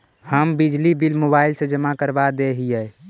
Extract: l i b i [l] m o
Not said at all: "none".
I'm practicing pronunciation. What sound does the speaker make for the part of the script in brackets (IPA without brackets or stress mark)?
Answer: l